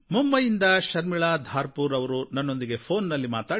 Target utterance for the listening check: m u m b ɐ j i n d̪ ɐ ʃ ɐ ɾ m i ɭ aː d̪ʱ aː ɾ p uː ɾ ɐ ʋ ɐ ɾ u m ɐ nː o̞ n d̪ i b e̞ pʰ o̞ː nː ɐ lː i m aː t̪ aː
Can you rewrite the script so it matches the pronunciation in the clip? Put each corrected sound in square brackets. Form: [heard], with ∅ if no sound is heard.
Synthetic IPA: m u m b ɐ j i n d̪ ɐ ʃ ɐ ɾ m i ɭ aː d̪ʱ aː ɾ p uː ɾ ɐ ʋ ɐ ɾ u [n] ɐ nː o̞ n d̪ i [ɡ] e̞ pʰ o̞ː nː ɐ lː i m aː t̪ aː